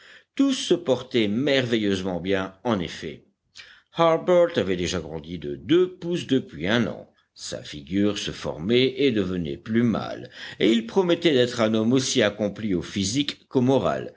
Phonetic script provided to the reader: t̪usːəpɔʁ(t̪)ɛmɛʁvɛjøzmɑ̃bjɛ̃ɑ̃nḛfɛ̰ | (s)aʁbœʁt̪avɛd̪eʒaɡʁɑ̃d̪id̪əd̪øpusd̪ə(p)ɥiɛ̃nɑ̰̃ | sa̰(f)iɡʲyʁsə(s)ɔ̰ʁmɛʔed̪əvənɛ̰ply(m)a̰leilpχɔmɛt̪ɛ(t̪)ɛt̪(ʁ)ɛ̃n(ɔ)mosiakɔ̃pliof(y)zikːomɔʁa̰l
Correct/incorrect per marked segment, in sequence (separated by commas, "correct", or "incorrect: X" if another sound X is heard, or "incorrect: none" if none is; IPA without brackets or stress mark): correct, incorrect: h, correct, correct, incorrect: f, correct, incorrect: d̪, incorrect: χ, correct, incorrect: i